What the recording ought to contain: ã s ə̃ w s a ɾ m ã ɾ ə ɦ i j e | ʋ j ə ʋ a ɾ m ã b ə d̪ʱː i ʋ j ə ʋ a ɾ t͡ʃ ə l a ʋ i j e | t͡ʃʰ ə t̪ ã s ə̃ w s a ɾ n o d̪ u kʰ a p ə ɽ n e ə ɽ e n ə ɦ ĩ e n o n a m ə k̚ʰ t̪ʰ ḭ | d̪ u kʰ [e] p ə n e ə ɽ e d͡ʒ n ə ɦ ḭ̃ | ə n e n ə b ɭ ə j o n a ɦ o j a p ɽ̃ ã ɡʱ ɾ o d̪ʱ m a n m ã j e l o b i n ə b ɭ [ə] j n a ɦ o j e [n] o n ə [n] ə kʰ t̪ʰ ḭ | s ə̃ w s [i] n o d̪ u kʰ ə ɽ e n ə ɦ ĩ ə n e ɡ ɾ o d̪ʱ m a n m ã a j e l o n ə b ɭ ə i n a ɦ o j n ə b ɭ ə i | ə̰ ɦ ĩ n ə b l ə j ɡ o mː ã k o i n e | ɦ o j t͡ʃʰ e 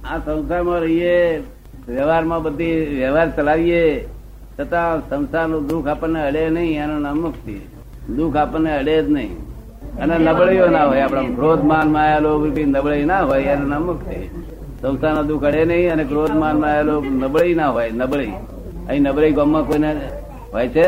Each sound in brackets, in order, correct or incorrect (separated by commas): incorrect, correct, correct, incorrect, incorrect